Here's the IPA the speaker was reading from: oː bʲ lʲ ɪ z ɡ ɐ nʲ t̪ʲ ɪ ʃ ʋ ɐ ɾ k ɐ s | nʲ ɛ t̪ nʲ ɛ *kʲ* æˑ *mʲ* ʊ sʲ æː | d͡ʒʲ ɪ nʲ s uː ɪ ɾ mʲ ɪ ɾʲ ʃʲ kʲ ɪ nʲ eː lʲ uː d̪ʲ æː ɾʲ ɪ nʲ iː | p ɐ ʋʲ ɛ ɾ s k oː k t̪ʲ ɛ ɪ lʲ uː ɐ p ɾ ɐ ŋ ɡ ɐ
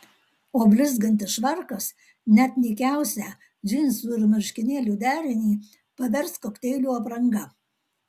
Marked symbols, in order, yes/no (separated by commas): yes, no